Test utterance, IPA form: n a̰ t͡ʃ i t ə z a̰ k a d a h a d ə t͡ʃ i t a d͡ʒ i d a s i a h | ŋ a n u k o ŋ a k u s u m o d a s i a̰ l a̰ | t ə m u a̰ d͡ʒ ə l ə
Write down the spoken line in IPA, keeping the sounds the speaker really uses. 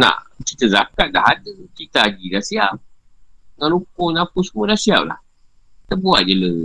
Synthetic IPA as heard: n a̰ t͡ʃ i t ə z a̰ k a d a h a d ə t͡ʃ i t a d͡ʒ i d a s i a | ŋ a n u k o n a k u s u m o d a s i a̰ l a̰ | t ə b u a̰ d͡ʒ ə l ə